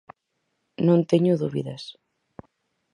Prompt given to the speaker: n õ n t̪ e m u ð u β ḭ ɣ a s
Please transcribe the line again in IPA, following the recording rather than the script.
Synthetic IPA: n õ n t̪ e ɲ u ð u β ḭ ð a s